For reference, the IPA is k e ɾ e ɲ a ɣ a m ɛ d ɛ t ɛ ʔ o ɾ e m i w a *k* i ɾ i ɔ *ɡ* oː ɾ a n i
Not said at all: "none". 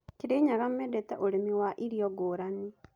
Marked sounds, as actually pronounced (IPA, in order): ʔ, ɡ

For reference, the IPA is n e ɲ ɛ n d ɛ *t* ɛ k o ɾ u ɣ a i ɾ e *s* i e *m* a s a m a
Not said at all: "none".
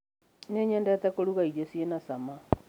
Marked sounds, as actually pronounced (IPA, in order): t, s, n

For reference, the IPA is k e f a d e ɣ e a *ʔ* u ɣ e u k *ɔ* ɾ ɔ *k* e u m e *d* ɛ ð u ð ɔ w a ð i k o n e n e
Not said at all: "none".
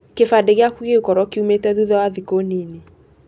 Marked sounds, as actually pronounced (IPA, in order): k, ɔ, k, t

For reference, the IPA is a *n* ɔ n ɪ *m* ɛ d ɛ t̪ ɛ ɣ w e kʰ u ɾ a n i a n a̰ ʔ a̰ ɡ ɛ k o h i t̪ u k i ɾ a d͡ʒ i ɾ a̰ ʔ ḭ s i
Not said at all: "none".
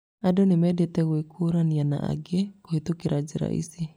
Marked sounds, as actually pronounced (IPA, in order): d, m

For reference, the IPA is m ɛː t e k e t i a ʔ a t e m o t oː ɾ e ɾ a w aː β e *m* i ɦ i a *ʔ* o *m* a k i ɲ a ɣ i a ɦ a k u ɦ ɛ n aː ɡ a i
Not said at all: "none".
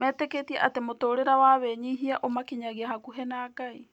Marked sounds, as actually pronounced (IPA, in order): ɲ, ʔ, m

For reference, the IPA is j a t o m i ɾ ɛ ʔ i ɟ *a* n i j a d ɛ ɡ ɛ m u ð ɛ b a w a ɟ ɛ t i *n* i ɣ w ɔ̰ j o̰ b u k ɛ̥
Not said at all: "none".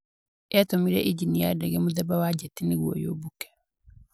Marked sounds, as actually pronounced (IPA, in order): i, n

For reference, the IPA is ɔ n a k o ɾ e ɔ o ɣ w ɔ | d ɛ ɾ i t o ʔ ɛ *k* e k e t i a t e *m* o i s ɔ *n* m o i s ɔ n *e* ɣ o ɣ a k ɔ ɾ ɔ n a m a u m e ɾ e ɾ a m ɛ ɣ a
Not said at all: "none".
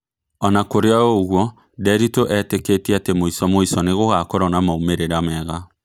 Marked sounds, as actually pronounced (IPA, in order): t, m, none, e

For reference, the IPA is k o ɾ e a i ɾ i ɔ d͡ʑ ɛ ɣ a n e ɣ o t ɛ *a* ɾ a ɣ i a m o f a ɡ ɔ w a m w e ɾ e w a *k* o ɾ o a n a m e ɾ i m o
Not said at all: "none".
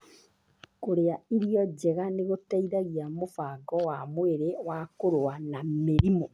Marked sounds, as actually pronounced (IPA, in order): i, k

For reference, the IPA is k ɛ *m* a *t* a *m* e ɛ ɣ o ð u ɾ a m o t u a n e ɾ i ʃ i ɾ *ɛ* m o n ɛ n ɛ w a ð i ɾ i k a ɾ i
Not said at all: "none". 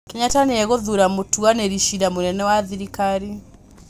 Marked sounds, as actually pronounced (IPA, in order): ɲ, t, n, a

